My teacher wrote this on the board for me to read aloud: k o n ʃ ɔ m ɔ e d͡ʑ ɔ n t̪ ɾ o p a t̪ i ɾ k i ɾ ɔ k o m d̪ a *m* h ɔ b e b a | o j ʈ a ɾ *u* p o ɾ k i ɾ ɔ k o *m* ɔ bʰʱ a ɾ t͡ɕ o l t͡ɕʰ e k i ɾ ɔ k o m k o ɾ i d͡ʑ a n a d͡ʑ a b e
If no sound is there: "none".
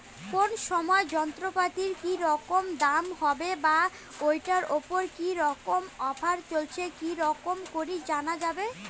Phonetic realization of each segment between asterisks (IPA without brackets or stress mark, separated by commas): m, o, m